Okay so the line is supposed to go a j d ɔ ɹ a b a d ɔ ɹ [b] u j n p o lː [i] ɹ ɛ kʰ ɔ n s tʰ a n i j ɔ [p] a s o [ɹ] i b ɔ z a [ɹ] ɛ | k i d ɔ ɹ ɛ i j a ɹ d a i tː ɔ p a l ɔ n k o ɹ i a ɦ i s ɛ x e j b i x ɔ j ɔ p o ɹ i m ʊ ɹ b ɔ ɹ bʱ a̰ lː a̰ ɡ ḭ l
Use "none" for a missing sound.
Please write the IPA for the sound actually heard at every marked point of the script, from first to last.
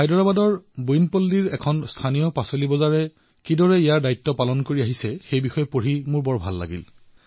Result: b, i, p, l, ɹ

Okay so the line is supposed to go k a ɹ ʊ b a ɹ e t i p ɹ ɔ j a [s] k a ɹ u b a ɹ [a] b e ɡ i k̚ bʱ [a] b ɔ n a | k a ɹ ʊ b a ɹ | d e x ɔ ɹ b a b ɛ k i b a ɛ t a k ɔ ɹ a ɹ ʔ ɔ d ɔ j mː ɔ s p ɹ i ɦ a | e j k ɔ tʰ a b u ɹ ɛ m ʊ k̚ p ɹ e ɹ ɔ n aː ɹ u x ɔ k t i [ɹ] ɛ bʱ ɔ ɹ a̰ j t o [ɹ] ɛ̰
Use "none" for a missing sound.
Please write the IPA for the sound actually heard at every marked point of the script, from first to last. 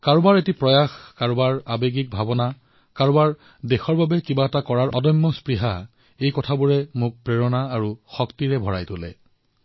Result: x, a, a, ɹ, l

